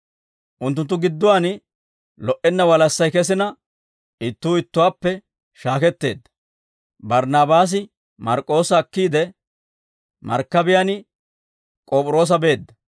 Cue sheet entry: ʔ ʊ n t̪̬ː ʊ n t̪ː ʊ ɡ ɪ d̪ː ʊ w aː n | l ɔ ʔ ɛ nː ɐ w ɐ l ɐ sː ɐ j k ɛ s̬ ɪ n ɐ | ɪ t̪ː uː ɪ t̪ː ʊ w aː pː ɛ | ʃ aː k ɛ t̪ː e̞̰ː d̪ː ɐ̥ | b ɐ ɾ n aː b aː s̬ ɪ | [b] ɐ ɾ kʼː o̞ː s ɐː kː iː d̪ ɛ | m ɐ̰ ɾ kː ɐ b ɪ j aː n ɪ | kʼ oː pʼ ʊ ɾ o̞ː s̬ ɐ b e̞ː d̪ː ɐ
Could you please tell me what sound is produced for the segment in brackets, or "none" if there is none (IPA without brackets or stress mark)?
m